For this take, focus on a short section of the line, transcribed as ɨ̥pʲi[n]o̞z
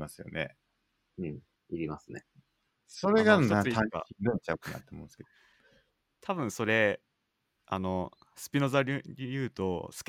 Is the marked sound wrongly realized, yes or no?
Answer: no